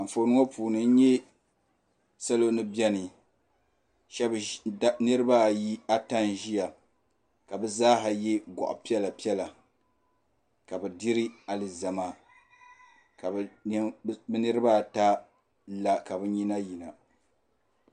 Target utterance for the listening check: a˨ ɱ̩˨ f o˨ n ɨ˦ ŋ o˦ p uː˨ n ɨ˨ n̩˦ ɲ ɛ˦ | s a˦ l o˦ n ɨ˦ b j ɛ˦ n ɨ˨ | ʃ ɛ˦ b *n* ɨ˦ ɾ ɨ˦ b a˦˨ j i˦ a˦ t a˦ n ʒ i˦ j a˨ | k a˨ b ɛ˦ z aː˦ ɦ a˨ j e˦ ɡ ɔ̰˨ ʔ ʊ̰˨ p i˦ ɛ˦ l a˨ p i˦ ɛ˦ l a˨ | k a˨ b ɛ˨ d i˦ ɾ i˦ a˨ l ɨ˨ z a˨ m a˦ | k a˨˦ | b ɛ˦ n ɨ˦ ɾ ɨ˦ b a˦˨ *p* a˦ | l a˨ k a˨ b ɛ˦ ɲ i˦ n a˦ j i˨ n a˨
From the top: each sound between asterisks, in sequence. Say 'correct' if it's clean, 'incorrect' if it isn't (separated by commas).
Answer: correct, incorrect